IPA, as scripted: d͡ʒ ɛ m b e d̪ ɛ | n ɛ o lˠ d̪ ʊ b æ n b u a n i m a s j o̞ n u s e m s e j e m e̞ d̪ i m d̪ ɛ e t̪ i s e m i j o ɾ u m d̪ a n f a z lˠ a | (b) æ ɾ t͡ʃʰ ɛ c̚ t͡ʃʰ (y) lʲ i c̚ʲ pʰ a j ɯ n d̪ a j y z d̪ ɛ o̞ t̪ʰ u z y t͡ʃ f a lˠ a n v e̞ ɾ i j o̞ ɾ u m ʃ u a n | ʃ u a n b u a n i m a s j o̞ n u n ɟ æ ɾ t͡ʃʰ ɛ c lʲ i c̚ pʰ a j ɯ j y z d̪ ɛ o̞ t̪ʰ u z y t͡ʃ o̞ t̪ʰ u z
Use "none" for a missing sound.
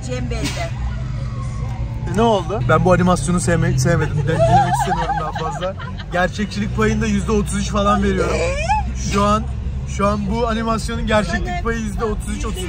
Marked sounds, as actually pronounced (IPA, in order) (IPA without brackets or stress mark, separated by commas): ɟ, i